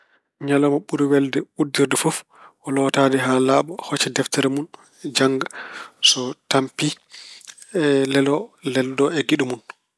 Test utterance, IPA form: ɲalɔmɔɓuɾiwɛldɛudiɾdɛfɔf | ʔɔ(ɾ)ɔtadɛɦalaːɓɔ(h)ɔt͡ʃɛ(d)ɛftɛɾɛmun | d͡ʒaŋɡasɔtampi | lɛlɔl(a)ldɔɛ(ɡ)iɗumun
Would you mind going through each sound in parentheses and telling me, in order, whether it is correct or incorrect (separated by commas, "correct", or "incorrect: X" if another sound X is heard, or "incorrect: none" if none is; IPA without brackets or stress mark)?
incorrect: l, correct, correct, incorrect: ɛ, correct